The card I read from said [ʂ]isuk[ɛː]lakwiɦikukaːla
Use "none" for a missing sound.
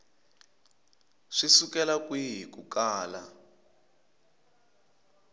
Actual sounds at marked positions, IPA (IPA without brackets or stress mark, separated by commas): ʂ, ɛ